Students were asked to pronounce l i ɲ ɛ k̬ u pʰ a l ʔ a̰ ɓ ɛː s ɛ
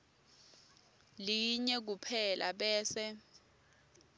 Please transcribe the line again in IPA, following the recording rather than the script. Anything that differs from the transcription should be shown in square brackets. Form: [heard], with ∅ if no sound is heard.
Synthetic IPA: l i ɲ ɛ k̬ u pʰ [ɛ] l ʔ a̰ ɓ ɛː s ɛ